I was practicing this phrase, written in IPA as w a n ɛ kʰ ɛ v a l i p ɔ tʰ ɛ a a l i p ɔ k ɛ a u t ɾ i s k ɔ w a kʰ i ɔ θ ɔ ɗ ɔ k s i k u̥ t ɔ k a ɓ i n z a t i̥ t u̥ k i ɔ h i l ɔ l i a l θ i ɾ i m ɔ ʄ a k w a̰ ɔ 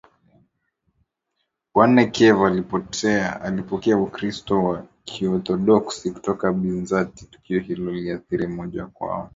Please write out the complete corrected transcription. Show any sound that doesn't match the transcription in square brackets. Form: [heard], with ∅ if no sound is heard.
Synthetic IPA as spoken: w a n ɛ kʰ ɛ v a l i p ɔ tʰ ɛ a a l i p ɔ k ɛ a u [k] ɾ i s [t] ɔ w a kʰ i ɔ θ ɔ ɗ ɔ k s i k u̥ t ɔ k a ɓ i n z a t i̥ t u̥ k i ɔ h i l ɔ l i a [∅] θ i ɾ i m ɔ ʄ a k w a̰ ɔ